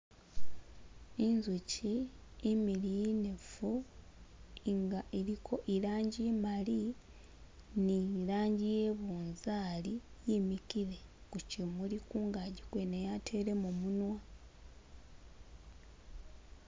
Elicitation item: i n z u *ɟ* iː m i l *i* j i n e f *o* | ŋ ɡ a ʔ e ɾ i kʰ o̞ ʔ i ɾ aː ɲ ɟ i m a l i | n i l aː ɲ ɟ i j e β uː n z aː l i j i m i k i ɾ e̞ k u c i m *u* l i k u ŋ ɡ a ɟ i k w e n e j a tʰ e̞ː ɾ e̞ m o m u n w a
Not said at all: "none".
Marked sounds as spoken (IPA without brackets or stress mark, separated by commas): c, i, u, u